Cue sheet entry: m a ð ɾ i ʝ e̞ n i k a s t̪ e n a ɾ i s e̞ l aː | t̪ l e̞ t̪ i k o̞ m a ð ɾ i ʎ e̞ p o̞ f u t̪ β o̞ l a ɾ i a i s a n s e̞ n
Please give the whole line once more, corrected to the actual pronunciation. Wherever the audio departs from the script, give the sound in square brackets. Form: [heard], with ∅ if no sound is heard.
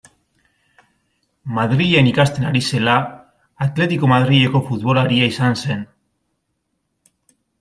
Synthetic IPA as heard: m a ð ɾ i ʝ e̞ n i k a s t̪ e n a ɾ i s e̞ l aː | t̪ l e̞ t̪ i k o̞ m a ð ɾ i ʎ e̞ [k] o̞ f u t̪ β o̞ l a ɾ i a i s a n s e̞ n